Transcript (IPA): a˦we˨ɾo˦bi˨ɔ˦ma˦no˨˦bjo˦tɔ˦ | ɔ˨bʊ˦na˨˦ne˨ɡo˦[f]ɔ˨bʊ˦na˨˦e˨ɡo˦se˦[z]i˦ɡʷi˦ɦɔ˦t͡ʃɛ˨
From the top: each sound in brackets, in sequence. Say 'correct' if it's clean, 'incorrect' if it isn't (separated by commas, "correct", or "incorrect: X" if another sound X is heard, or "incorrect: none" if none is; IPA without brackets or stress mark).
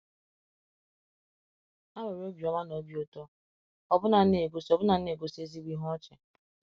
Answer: incorrect: s, correct